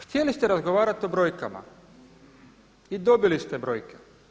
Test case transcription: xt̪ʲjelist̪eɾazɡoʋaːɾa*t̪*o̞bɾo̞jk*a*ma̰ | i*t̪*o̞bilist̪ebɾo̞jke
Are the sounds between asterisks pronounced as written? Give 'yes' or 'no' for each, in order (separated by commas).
yes, yes, no